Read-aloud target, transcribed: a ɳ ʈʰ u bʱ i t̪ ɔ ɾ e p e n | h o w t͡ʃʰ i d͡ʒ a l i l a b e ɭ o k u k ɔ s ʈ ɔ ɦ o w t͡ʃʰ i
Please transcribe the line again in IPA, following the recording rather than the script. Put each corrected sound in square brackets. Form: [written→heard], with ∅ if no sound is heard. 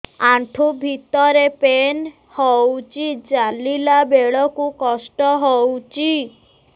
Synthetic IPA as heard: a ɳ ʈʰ u bʱ i t̪ ɔ ɾ e p e n | h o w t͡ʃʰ i d͡ʒ a l i l a b e ɭ [o→ɔ] k u k ɔ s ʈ ɔ ɦ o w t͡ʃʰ i